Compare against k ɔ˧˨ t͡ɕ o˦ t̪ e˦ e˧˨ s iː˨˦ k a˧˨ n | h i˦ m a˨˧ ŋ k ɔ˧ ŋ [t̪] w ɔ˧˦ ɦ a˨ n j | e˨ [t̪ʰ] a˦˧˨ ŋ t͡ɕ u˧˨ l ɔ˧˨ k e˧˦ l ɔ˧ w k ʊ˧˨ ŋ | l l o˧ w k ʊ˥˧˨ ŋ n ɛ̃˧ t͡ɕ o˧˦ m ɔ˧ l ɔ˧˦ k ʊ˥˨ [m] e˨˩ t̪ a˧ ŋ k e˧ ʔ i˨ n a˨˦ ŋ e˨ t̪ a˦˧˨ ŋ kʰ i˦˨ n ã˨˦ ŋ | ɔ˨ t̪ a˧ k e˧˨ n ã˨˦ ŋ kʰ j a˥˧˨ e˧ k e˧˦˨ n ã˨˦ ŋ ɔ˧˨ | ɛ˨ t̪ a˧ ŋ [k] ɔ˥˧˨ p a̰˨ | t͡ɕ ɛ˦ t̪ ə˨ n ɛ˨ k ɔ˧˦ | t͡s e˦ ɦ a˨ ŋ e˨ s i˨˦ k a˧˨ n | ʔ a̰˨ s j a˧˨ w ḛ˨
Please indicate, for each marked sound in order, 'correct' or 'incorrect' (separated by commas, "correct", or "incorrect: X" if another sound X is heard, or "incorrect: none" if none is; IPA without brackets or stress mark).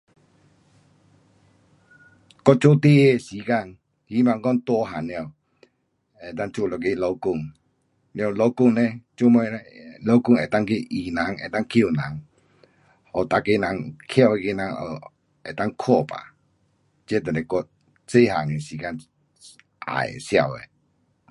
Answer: correct, incorrect: t̪, incorrect: ŋ, incorrect: kʰ